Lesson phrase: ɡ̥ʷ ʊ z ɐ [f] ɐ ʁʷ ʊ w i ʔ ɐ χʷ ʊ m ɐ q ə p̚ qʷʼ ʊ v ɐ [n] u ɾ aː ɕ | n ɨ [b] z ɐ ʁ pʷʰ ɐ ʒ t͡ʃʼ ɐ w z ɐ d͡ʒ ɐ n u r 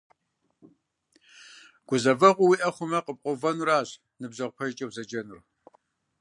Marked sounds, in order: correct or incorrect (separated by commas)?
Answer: incorrect, correct, correct